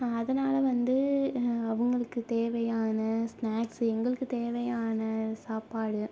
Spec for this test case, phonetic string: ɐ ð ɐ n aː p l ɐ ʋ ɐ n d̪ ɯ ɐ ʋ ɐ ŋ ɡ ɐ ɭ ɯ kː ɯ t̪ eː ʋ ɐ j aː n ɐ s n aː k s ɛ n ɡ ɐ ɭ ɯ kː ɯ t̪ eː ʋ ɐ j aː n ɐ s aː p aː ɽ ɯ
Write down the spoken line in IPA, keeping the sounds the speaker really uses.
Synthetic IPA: ɐ ð ɐ n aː l ɐ ʋ ɐ n d̪ ɯ ɐ ʋ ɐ ŋ ɡ ɐ ɭ ɯ kː ɯ t̪ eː ʋ ɐ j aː n ɐ s n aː k s ɛ ŋ ɡ ɐ ɭ ɯ kː ɯ t̪ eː ʋ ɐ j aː n ɐ s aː p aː ɽ ɯ